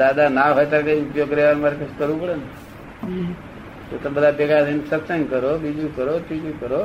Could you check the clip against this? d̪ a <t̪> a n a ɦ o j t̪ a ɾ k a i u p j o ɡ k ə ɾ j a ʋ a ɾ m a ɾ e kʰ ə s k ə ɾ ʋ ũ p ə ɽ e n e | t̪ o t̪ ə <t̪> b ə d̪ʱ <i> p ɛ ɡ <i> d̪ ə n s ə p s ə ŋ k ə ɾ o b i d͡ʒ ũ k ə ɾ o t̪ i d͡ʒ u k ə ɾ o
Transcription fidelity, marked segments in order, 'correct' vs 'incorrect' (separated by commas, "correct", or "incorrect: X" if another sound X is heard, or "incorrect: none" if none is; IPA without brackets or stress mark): incorrect: d̪, incorrect: none, incorrect: a, incorrect: a